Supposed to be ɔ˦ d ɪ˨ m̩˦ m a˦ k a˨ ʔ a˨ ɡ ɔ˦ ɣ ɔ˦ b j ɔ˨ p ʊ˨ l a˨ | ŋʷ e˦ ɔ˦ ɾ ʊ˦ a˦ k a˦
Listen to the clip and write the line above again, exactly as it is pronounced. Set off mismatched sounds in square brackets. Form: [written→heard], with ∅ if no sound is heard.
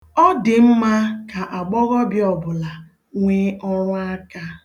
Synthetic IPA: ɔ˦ d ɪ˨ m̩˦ m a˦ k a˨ ʔ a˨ [ɡ→ɡ͡b] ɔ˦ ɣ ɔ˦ b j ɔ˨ [p→b] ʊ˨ l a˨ | ŋʷ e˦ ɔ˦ ɾ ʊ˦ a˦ k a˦